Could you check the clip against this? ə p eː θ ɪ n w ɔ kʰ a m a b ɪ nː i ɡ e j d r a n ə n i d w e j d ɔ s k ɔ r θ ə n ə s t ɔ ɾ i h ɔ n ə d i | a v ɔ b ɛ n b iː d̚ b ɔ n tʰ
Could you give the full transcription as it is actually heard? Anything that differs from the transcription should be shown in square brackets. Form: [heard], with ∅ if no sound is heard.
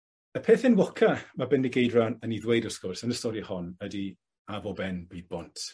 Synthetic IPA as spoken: ə [pʰ] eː θ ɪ n w ɔ kʰ a m a b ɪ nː i ɡ e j d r a n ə n i d w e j d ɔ s k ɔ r [s] ə n ə s t ɔ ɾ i h ɔ n ə d i | a v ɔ b ɛ n b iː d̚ b ɔ n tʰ